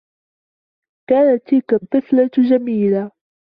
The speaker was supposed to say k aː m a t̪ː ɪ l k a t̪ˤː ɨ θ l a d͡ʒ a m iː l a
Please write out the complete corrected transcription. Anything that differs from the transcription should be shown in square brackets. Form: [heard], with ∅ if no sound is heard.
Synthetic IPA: k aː [n] a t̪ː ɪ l k a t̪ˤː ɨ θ l a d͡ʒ a m iː l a